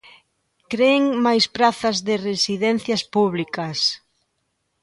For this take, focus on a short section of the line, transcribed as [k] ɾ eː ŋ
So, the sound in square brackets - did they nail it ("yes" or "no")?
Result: yes